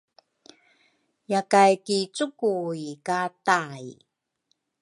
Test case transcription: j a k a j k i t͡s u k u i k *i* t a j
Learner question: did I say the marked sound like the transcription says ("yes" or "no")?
no